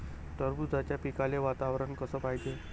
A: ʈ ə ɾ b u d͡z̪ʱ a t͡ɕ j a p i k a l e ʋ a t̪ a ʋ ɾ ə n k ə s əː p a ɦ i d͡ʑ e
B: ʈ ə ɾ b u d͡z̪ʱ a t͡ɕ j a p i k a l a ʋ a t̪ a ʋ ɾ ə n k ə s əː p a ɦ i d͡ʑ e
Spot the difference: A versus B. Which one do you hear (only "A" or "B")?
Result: A